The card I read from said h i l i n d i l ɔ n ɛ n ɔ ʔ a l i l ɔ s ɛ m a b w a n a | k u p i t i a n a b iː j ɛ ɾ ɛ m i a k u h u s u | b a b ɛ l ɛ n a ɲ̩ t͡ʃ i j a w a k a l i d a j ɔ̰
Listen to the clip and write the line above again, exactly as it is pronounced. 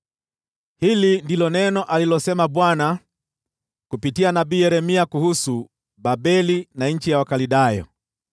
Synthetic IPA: h i l i n d i l ɔ n ɛ n ɔ ʔ a l i l ɔ s ɛ m a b w a n a | k u p i t i a n a b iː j ɛ ɾ ɛ m i a k u h u s u | b a b ɛ l i n a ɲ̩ t͡ʃ i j a w a k a l i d a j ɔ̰